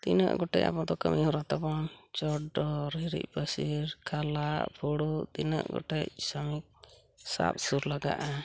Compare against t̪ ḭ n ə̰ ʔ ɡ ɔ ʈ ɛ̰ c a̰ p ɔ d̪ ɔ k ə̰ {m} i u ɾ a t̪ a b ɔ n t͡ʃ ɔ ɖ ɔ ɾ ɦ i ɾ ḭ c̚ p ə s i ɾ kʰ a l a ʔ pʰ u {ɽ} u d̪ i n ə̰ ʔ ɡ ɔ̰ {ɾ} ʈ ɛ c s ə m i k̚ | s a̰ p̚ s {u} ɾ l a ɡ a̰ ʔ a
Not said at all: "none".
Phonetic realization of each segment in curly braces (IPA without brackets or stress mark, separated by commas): m, ɽ, none, u